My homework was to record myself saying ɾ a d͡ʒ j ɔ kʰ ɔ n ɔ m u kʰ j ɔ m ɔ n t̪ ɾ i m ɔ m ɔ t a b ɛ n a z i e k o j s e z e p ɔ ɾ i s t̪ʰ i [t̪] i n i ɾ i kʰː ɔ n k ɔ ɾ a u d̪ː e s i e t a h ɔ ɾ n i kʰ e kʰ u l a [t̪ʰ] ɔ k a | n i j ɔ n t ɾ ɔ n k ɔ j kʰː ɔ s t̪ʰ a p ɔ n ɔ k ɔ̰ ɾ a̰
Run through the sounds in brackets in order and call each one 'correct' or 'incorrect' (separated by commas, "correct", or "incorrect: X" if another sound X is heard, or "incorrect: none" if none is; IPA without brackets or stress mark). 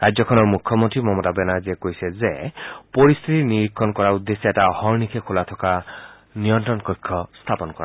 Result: correct, correct